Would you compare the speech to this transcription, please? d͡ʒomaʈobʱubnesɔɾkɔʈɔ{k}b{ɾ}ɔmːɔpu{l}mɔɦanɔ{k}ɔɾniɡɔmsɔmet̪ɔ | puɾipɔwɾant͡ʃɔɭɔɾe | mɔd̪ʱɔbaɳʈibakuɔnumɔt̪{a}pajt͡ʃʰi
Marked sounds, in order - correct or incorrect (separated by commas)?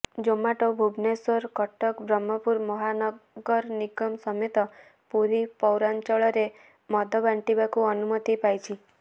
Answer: correct, correct, incorrect, incorrect, incorrect